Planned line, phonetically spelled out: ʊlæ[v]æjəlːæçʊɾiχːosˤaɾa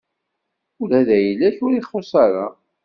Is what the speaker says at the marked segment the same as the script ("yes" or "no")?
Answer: no